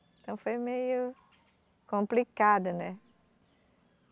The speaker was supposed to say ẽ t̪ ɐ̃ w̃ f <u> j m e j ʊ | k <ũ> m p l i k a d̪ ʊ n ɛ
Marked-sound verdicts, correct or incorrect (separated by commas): incorrect, incorrect